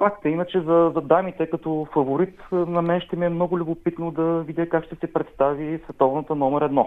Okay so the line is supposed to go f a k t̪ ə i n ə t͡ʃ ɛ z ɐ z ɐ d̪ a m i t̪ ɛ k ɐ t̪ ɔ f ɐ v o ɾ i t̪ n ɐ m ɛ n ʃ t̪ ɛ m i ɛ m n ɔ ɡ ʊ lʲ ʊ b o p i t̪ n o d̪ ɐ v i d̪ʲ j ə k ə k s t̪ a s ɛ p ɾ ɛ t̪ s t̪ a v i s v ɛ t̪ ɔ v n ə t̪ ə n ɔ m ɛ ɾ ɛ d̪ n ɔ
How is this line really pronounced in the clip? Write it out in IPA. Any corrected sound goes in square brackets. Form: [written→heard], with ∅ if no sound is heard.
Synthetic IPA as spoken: f a k t̪ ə i n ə t͡ʃ ɛ z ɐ z ɐ d̪ a m i t̪ ɛ k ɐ t̪ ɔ f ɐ v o ɾ i t̪ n ɐ m ɛ n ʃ t̪ ɛ m i ɛ m n ɔ ɡ ʊ lʲ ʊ b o p i t̪ n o d̪ ɐ v i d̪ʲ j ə k [ə→a] k [s→ʃ] t̪ [a→ɛ] s ɛ p ɾ ɛ t̪ s t̪ a v i s v ɛ t̪ ɔ v n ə t̪ ə n ɔ m ɛ ɾ ɛ d̪ n ɔ